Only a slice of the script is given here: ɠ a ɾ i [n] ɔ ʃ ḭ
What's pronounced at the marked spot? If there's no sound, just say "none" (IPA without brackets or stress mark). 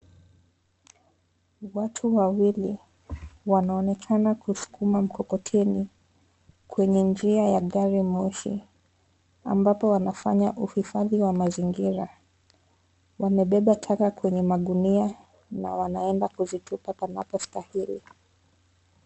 m